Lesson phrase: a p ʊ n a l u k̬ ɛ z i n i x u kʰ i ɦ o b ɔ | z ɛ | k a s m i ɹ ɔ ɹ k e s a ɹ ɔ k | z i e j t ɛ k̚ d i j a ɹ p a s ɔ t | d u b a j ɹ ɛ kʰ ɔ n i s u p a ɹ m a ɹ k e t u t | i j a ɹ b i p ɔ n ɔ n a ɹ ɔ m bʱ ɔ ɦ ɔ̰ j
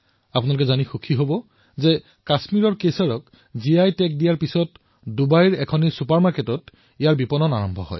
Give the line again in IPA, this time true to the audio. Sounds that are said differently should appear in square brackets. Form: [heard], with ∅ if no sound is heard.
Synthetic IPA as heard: a p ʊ n a l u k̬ ɛ z [a] n i x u kʰ i ɦ o b ɔ | z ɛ | k a s m i ɹ ɔ ɹ k e s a ɹ ɔ k | z i [a] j t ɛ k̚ d i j a ɹ p [i] s ɔ t | d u b a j ɹ ɛ kʰ ɔ n i s u p a ɹ m a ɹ k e t [ɔ] t | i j a ɹ b i p ɔ n ɔ n a ɹ ɔ m bʱ ɔ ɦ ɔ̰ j